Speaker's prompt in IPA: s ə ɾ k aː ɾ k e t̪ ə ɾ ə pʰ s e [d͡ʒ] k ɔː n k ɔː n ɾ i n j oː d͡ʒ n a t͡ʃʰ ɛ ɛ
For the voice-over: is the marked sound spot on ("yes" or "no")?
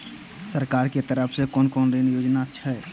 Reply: no